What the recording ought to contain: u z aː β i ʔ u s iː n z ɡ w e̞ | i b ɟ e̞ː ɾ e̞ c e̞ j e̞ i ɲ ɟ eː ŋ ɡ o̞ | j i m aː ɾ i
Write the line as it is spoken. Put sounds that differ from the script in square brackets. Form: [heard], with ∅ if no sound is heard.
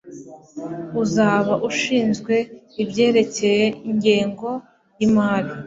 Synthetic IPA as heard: u z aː β [a] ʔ u [ʃ] iː n z ɡ w e̞ | i b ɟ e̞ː ɾ e̞ c e̞ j e̞ i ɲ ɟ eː ŋ ɡ o̞ | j i m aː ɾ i